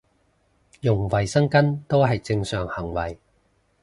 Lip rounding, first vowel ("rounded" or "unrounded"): rounded